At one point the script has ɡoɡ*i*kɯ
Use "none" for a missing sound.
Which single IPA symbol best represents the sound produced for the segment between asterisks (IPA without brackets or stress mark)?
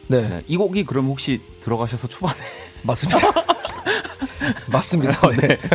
i